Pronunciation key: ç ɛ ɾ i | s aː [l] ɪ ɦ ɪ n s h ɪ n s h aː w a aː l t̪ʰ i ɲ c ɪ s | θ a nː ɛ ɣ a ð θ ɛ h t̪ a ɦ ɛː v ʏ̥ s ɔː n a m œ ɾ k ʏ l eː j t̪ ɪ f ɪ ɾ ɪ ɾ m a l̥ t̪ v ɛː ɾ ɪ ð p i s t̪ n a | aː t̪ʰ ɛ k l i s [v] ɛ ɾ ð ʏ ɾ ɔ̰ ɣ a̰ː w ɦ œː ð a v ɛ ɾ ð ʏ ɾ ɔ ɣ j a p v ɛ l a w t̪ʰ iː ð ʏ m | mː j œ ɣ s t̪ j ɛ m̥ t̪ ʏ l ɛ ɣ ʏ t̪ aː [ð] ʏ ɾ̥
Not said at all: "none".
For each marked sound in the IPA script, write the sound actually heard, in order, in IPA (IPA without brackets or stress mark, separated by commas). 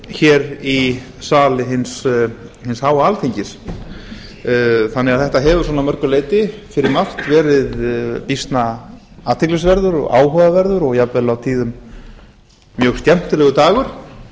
l, v, ɣ